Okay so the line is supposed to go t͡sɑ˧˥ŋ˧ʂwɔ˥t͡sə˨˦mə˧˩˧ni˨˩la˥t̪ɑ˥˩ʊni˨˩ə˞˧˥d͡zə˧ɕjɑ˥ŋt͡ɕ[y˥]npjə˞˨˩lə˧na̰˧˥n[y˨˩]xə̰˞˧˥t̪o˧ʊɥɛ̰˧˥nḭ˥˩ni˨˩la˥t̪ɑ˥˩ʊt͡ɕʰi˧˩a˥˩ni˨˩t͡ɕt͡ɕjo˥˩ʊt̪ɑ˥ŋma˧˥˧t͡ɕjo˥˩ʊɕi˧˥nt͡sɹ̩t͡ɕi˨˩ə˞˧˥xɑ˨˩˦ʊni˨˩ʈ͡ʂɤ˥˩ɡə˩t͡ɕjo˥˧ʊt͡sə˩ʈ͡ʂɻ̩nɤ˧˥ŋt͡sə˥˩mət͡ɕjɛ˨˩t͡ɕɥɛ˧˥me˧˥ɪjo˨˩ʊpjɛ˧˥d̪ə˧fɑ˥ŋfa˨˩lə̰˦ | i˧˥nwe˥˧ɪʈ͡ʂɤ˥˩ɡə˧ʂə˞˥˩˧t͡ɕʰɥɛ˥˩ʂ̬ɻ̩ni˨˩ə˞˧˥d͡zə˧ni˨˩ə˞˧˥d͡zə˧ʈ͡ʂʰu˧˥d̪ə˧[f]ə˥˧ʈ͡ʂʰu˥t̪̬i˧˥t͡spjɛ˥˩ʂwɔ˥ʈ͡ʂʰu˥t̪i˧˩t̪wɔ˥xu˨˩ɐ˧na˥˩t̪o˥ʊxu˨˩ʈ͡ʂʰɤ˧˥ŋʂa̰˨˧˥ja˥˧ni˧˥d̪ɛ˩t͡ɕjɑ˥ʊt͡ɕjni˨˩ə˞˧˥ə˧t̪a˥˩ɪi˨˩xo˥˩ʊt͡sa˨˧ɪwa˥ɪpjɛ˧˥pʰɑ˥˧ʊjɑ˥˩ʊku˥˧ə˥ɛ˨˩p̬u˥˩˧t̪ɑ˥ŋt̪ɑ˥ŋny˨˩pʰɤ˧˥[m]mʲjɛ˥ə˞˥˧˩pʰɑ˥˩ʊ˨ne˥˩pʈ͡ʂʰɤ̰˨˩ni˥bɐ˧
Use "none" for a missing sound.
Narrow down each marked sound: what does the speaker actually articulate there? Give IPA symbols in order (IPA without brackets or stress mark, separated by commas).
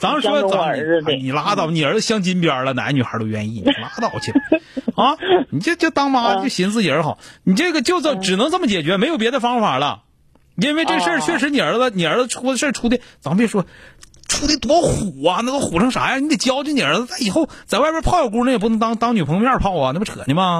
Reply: i˥, y˨˩, ʂ, ŋ